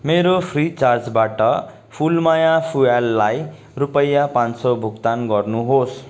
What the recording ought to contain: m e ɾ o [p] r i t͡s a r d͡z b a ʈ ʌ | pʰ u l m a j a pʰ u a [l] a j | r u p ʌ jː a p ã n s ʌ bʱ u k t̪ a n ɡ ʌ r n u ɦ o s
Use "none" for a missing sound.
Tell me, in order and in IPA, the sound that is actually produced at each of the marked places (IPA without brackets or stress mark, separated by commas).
pʰ, lː